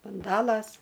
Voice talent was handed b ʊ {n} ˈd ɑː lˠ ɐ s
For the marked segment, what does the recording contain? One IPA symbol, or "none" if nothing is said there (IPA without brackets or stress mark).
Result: n